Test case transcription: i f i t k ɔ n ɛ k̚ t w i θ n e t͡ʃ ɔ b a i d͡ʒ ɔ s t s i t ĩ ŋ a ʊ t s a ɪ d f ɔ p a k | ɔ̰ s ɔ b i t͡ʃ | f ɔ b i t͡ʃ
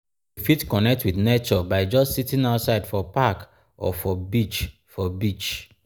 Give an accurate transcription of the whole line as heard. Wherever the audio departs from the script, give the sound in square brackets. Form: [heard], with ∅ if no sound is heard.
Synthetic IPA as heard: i f i t k ɔ n ɛ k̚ t w i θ n e t͡ʃ ɔ b a [ɪ] d͡ʒ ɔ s t s i t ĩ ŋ a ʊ t s a ɪ d f ɔ p a k | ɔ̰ [f] ɔ b i t͡ʃ | f ɔ b i t͡ʃ